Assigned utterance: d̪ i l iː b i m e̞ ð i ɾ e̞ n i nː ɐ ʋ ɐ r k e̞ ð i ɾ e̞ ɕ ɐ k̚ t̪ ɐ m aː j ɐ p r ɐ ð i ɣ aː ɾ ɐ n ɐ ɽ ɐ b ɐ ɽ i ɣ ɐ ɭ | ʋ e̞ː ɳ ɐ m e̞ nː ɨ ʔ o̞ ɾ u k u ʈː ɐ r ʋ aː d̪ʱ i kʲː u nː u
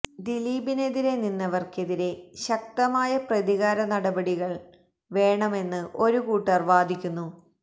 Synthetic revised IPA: d̪ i l iː b i n e̞ ð i ɾ e̞ n i nː ɐ ʋ ɐ r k e̞ ð i ɾ e̞ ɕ ɐ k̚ t̪ ɐ m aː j ɐ p r ɐ ð i ɣ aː ɾ ɐ n ɐ ɽ ɐ b ɐ ɽ i ɣ ɐ ɭ | ʋ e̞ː ɳ ɐ m e̞ nː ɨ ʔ o̞ ɾ u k uː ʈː ɐ r ʋ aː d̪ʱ i kʲː u nː u